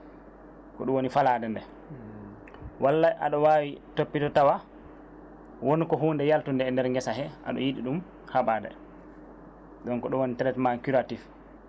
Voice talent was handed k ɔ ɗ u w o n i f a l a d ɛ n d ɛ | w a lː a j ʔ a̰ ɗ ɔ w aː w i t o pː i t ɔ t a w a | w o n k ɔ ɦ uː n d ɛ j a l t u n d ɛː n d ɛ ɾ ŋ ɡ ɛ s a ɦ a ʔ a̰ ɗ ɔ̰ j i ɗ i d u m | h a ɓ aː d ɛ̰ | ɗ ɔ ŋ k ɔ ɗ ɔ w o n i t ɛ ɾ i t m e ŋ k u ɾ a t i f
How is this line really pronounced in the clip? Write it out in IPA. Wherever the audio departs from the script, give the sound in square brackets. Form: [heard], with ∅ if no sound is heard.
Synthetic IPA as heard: k ɔ ɗ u w o n i f a l a d ɛ n d ɛ | w a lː a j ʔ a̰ ɗ ɔ w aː w i t o pː i t ɔ t a w a | w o n k ɔ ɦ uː n d ɛ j a l t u n d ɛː n d ɛ ɾ ŋ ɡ ɛ s a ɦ [ɛ] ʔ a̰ ɗ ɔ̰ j i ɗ i [ɗ] u m | h a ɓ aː d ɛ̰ | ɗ ɔ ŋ k ɔ ɗ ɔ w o n i t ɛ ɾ [ɛ] t m [a] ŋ k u ɾ a t i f